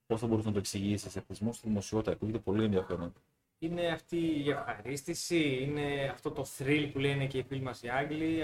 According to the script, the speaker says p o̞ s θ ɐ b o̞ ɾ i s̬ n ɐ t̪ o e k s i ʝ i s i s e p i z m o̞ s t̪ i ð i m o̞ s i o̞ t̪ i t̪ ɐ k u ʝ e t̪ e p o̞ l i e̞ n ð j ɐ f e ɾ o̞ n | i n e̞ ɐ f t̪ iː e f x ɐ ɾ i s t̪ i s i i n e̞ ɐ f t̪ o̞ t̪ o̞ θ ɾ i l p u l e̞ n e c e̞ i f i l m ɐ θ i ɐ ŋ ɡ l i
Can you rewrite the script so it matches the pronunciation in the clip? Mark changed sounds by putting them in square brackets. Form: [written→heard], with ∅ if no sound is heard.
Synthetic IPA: p o̞ s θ ɐ b o̞ ɾ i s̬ n ɐ t̪ o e k s i ʝ i s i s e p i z m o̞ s t̪ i ð i m o̞ s i o̞ t̪ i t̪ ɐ k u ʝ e t̪ e p o̞ l i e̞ n ð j ɐ f e ɾ o̞ n | i n e̞ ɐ f t̪ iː e f x ɐ ɾ i s t̪ i s i i n e̞ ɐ f t̪ o̞ t̪ o̞ θ ɾ i l p u l e̞ n e c e̞ i f i l m ɐ [θ→s] i ɐ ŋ ɡ l i